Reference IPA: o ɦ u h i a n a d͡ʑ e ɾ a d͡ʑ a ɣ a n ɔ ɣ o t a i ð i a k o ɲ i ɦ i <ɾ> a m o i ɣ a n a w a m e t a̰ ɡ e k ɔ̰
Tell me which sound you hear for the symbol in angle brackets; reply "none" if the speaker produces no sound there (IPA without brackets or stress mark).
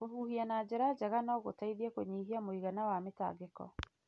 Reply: none